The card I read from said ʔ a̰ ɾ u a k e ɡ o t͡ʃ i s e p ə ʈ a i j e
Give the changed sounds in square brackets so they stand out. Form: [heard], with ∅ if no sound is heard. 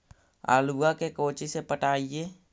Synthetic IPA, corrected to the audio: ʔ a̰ [l] u a k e [k] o t͡ʃ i s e p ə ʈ a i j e

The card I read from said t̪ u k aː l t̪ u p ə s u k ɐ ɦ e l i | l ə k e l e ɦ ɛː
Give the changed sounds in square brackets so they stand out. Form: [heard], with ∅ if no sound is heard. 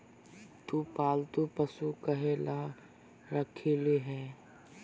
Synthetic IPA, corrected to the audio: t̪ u [p] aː l t̪ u p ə s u k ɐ ɦ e l [a] | [ɾ] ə [kʰ] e l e ɦ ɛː

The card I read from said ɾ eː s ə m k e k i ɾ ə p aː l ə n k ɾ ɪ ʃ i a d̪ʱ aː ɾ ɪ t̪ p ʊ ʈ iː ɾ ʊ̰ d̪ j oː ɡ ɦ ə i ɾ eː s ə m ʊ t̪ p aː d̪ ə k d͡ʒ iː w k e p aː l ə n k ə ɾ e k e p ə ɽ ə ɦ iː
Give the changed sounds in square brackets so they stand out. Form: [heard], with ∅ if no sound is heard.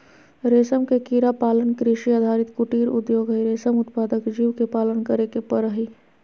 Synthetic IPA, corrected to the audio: ɾ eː s ə m k e k i ɾ [a] p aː l ə n k ɾ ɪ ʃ i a d̪ʱ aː ɾ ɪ t̪ [k] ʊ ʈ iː ɾ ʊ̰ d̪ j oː ɡ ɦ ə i ɾ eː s ə m ʊ t̪ p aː d̪ ə k d͡ʒ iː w k e p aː l ə n k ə ɾ e k e p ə [ɾ] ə ɦ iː

